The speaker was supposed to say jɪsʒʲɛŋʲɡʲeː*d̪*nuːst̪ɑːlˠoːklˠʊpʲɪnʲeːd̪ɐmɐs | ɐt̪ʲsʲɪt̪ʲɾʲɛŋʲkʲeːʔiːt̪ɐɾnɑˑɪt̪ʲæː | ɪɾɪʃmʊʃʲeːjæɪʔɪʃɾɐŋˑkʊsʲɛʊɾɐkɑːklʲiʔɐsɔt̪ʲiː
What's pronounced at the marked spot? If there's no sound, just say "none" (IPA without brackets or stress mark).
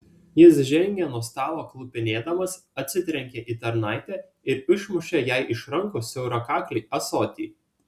none